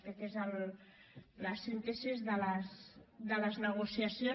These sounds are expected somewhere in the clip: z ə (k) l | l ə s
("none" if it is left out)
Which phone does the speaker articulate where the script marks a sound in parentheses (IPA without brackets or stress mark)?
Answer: none